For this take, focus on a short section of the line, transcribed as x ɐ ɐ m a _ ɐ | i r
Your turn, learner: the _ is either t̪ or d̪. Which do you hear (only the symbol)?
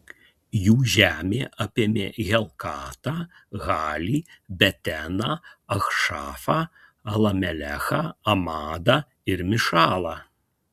d̪